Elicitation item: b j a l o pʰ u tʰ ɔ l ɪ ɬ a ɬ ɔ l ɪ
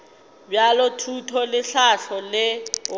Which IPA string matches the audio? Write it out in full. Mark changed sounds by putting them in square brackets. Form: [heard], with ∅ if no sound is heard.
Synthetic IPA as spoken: b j a l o [tʰ] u tʰ ɔ l ɪ ɬ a ɬ ɔ l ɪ